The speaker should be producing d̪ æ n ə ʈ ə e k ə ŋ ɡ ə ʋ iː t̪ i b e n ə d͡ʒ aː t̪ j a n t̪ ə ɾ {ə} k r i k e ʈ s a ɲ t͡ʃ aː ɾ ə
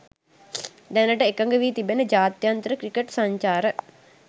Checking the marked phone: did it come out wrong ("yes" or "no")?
no